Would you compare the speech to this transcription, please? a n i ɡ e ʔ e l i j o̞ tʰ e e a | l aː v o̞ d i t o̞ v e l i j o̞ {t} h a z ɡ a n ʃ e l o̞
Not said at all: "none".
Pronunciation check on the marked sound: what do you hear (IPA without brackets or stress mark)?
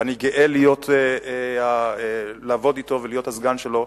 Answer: t